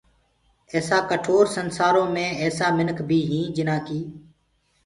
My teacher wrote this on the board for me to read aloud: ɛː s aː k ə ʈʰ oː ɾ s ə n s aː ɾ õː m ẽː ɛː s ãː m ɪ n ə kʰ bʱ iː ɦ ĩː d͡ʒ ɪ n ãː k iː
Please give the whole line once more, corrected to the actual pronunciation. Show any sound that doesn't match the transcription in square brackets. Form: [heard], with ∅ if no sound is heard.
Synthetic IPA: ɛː s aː k ə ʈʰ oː ɾ s ə n s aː ɾ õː m ẽː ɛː s [aː] m ɪ n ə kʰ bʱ iː ɦ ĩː d͡ʒ ɪ n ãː k iː